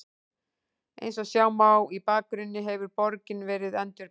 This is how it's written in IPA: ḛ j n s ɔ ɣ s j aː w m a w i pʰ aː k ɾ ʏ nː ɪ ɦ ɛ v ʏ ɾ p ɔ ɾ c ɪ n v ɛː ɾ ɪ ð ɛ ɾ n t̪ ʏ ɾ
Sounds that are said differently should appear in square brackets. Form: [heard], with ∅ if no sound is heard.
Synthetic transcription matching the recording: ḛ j n s ɔ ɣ s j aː w m a w i [p] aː k ɾ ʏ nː ɪ ɦ ɛ v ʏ ɾ p ɔ ɾ c ɪ n v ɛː ɾ ɪ ð ɛ [∅] n t̪ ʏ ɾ